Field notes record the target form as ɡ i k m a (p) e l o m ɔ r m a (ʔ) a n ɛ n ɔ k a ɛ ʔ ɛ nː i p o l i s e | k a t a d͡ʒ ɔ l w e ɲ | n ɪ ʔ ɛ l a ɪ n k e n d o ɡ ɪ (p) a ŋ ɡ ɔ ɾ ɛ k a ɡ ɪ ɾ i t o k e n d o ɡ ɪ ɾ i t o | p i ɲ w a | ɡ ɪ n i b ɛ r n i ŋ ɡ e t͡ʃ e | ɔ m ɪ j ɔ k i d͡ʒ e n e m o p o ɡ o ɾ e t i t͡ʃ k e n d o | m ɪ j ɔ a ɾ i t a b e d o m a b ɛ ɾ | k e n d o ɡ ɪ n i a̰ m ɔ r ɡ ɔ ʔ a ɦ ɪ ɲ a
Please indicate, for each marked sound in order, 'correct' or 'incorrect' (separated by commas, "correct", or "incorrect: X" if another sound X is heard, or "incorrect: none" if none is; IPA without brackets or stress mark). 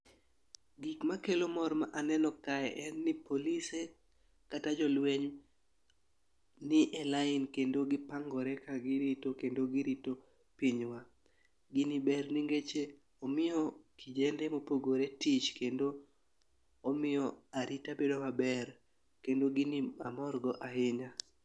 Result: incorrect: k, correct, correct